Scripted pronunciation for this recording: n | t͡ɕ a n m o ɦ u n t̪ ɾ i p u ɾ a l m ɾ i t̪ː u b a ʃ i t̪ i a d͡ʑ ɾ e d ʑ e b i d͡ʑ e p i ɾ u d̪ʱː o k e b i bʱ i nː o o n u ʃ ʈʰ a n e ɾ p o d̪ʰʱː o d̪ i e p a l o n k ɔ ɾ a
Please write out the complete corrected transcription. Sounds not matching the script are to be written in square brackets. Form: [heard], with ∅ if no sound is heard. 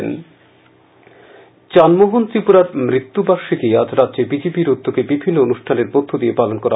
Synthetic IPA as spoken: n | t͡ɕ a n m o ɦ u n t̪ ɾ i p u ɾ a [ɾ] m ɾ i t̪ː u b a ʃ i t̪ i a d͡ʑ ɾ [a] d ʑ e b i d͡ʑ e p i ɾ u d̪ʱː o k e b i bʱ i nː o o n u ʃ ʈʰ a n e ɾ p o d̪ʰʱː o d̪ i e p a l o n k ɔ ɾ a

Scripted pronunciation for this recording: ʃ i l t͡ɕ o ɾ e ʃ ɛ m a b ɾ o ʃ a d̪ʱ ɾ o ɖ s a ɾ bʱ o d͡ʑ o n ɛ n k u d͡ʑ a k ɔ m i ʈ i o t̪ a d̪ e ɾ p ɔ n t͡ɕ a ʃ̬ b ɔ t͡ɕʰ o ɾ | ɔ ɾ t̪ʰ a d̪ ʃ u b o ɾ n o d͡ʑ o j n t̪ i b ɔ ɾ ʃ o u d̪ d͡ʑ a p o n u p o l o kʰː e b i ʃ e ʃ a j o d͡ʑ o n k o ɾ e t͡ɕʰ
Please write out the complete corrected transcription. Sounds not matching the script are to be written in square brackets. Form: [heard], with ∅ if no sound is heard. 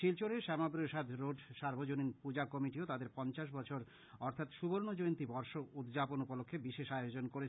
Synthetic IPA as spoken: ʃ i l t͡ɕ o ɾ e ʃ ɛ m a b ɾ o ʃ a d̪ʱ ɾ o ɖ [ʃ] a ɾ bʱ o d͡ʑ o n [i] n [p] u d͡ʑ a k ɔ m i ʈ i o t̪ a d̪ e ɾ p ɔ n t͡ɕ a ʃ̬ b ɔ t͡ɕʰ o ɾ | ɔ ɾ t̪ʰ a [t̪] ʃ u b o ɾ n o d͡ʑ o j n t̪ i b ɔ ɾ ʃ o u d̪ d͡ʑ a p o n u p o l o kʰː e b i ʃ e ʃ a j o d͡ʑ o n k o ɾ e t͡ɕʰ

